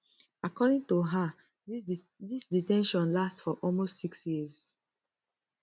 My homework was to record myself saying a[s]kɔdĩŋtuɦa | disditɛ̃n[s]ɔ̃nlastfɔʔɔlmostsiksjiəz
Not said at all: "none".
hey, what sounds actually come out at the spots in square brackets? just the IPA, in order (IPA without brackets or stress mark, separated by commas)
none, ʃ